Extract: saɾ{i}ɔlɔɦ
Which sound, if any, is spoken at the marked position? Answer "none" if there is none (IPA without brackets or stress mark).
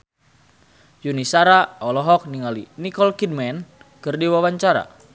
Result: a